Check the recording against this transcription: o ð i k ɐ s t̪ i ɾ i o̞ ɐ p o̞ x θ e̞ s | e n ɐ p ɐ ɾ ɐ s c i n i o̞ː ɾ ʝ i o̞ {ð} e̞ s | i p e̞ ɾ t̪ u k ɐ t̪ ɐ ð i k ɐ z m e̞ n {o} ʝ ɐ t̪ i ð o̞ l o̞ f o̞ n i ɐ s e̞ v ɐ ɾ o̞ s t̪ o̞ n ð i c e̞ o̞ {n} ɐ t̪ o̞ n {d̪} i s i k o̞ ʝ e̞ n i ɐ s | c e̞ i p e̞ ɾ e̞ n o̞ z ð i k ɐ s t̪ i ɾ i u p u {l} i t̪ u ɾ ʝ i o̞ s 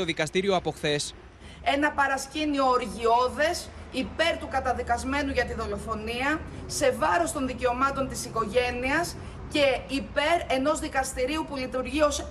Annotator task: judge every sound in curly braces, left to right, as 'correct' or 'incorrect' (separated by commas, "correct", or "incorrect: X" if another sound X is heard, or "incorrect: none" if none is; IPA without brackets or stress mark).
correct, incorrect: u, incorrect: m, incorrect: t̪, correct